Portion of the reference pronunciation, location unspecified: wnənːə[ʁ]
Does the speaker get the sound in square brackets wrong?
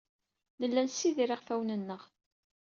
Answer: no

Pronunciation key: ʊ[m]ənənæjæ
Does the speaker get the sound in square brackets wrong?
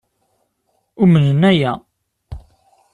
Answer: no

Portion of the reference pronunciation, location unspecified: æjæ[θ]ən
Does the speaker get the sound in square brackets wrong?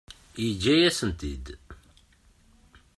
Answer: yes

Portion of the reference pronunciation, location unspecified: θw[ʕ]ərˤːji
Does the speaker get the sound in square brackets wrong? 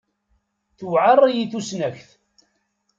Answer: no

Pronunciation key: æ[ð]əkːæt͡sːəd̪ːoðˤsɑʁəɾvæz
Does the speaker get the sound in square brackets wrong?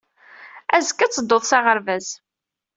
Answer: yes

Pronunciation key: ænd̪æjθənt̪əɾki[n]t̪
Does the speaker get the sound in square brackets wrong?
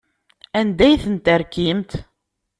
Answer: yes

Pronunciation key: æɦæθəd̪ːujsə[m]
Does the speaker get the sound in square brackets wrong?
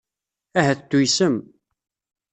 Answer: no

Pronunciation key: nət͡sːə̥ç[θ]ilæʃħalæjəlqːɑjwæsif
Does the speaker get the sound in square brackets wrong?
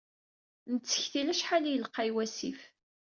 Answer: no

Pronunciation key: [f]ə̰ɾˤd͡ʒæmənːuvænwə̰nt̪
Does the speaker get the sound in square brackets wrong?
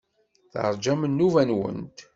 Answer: yes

